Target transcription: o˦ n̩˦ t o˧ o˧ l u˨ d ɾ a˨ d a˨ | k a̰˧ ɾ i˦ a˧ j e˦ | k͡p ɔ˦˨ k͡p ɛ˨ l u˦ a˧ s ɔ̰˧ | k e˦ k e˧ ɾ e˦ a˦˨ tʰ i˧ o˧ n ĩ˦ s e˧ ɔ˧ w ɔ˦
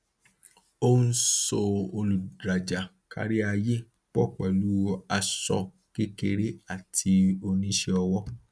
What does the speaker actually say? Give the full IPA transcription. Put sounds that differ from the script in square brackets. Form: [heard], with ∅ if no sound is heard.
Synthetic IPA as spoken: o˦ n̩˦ [s] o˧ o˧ l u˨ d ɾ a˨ [d͡ʒ] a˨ | k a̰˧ ɾ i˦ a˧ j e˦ | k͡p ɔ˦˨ k͡p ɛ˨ l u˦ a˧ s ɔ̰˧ | k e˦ k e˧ ɾ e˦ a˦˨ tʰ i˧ o˧ n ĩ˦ [ʃ] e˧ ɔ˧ w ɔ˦